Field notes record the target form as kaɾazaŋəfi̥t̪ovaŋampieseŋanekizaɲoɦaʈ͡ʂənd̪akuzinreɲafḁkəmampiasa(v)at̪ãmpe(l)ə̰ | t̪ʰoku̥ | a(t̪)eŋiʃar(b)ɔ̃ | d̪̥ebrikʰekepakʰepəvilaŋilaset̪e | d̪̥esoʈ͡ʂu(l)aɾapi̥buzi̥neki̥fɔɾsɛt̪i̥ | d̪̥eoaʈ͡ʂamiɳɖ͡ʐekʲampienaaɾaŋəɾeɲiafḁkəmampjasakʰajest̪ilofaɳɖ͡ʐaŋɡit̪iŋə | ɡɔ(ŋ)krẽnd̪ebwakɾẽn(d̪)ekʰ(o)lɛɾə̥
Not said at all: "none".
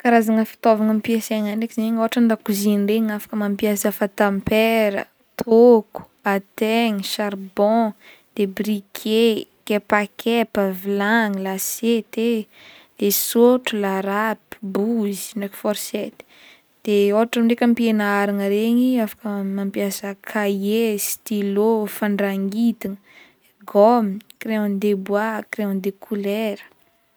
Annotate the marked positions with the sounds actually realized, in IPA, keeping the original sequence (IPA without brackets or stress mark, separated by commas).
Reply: f, ɾ, t̪, b, l, m, d̪, u